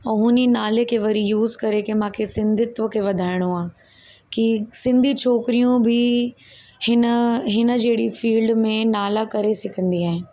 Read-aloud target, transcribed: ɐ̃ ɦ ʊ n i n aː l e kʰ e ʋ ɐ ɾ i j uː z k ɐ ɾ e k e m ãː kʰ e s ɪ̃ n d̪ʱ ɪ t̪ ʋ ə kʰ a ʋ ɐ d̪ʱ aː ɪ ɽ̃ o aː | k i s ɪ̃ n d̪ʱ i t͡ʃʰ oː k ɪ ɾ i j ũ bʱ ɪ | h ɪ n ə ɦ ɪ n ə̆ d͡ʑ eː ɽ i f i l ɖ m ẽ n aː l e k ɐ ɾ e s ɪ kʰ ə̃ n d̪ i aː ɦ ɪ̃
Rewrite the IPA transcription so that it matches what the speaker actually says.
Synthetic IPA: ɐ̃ ɦ ʊ n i n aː l e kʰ e ʋ ɐ ɾ i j uː z k ɐ ɾ e k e m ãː kʰ e s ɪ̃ n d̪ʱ ɪ t̪ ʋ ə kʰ e ʋ ɐ d̪ʱ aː ɪ ɽ̃ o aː | k i s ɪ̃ n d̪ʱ i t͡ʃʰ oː k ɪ ɾ i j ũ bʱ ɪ | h ɪ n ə ɦ ɪ n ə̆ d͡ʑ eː ɽ i f iː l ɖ m ẽ n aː l a k ɐ ɾ e s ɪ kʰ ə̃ n d̪ i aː ɦ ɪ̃